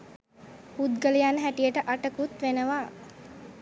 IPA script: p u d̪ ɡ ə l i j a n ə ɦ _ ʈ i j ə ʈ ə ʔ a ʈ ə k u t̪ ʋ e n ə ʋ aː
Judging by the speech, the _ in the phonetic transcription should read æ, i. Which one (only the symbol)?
æ